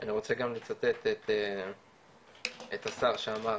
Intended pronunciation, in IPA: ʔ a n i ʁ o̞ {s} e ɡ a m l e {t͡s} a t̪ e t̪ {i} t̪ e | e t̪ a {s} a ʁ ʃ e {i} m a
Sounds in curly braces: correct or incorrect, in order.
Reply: incorrect: t͡s, correct, incorrect: e, correct, incorrect: a

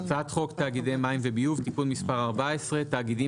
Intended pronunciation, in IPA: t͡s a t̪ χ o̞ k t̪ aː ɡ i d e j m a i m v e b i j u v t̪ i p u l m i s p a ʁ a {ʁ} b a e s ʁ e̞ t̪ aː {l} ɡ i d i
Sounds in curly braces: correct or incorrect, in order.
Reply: correct, incorrect: none

